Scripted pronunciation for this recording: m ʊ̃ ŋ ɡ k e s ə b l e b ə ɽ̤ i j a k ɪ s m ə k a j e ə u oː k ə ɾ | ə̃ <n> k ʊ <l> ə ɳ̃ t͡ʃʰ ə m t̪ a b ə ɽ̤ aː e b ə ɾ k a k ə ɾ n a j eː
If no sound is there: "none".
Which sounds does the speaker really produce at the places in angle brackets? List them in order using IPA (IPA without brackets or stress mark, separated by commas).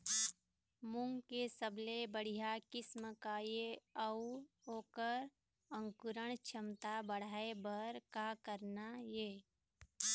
ŋ, ɾ